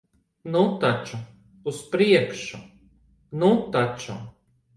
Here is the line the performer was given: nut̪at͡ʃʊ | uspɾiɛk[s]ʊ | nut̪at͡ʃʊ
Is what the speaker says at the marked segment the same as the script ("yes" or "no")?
no